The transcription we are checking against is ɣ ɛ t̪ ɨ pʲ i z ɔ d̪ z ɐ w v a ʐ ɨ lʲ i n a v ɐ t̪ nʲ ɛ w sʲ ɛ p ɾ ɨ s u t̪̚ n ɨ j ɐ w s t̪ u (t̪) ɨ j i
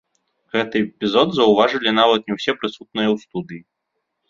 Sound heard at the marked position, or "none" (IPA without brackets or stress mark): d̪